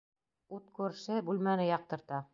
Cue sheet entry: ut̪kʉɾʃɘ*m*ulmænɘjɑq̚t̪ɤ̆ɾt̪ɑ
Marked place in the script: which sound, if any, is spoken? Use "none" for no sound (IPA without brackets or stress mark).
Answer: b